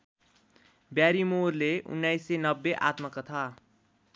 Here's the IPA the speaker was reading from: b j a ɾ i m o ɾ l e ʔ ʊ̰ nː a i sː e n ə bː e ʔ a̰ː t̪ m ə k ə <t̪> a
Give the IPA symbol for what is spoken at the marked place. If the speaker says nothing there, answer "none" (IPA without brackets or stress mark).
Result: t̪ʰ